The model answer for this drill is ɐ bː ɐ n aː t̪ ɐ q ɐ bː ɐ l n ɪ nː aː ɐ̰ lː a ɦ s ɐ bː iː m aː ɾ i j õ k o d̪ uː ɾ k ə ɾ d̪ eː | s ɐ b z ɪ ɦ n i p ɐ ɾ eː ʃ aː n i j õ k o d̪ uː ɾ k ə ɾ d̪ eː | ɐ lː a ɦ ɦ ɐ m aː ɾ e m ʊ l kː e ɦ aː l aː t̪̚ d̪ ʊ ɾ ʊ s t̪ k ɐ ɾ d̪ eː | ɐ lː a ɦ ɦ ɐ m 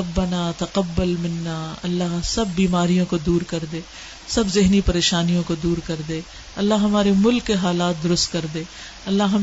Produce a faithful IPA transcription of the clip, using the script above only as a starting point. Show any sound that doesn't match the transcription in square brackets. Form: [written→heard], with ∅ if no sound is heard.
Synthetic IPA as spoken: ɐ bː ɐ n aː t̪ ɐ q ɐ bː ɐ l [n→m] ɪ nː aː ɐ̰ lː a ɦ s ɐ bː iː m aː ɾ i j õ k o d̪ uː ɾ k [ə→ɐ] ɾ d̪ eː | s ɐ b z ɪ ɦ n i p ɐ ɾ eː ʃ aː n i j õ k o d̪ uː ɾ k [ə→ɐ] ɾ d̪ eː | ɐ lː a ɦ ɦ ɐ m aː ɾ e m ʊ l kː e ɦ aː l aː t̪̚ d̪ ʊ ɾ ʊ s t̪ k ɐ ɾ d̪ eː | ɐ lː a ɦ ɦ ɐ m